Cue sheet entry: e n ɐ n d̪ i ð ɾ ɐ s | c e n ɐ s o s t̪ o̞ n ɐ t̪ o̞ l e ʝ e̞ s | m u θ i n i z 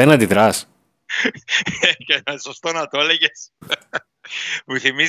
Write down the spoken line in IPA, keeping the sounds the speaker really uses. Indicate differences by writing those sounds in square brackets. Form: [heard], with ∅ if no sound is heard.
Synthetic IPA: e n ɐ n d̪ i ð ɾ ɐ s | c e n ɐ s o s t̪ o̞ n ɐ t̪ o̞ l e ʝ e̞ s | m u θ i [m] i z